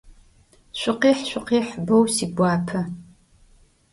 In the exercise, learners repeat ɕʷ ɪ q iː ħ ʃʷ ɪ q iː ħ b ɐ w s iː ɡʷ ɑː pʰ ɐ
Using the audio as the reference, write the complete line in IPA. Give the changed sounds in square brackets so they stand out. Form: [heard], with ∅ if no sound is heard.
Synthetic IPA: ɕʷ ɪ q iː ħ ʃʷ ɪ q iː ħ b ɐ w s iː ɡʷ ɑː pʰ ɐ